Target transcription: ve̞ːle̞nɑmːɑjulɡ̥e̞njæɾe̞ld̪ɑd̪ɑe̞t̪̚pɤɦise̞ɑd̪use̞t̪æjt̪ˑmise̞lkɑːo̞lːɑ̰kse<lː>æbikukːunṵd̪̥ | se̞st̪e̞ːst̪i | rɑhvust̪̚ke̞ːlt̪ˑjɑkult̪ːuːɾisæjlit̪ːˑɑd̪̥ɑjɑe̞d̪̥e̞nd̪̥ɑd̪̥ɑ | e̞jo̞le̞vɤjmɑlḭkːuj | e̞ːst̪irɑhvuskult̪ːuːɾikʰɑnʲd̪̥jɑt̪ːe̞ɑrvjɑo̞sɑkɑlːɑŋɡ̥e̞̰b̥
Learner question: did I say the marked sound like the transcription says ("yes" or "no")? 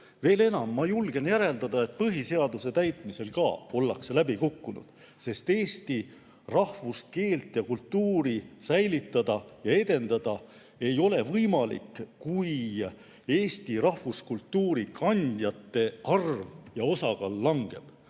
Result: no